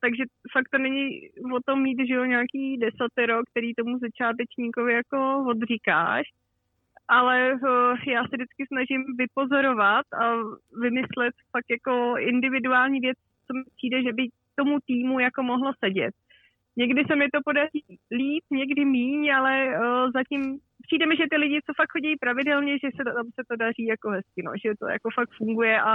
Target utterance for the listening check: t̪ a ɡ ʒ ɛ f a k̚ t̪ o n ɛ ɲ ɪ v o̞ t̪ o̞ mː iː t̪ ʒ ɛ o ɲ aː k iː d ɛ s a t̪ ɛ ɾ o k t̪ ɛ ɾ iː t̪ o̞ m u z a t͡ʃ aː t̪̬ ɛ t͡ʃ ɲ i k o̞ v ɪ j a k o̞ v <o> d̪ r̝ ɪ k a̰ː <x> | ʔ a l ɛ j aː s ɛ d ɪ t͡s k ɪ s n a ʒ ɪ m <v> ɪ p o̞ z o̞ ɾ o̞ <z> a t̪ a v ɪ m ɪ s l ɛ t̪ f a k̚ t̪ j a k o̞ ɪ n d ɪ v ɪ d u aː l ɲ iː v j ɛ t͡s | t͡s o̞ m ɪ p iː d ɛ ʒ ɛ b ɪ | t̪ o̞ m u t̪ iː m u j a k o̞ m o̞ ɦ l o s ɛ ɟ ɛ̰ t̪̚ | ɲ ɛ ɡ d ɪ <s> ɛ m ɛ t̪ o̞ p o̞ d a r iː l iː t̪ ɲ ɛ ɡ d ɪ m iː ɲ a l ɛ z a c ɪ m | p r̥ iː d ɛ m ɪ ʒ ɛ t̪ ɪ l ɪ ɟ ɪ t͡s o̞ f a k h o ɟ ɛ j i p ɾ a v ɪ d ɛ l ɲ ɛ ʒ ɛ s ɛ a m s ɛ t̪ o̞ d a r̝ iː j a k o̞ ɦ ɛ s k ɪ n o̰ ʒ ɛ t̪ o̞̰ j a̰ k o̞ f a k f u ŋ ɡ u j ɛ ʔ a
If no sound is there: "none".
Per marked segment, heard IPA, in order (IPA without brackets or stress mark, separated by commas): o, ʃ, v, v, s